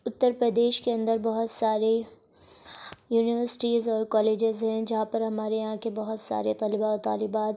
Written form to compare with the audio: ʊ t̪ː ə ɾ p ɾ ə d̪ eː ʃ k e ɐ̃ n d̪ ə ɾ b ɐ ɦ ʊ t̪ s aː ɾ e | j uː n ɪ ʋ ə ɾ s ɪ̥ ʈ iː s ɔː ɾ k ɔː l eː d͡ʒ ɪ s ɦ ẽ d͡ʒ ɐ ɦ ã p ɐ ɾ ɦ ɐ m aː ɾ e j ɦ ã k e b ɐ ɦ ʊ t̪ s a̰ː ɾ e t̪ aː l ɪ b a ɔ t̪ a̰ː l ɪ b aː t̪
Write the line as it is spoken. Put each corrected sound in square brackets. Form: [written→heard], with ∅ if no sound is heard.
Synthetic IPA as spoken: ʊ t̪ː ə ɾ p ɾ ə d̪ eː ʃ k e ɐ̃ n d̪ ə ɾ b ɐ ɦ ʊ t̪ s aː ɾ e | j uː n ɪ ʋ ə ɾ s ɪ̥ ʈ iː [s→z] ɔː ɾ k ɔː l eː d͡ʒ ɪ [s→z] ɦ [ẽ→ɛ̃] d͡ʒ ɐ ɦ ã p ɐ ɾ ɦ ɐ m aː ɾ e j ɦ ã k e b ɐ ɦ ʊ t̪ s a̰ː ɾ e t̪ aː l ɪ b a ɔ t̪ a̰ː l ɪ b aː t̪